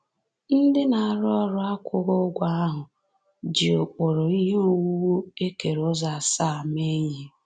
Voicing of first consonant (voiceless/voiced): voiced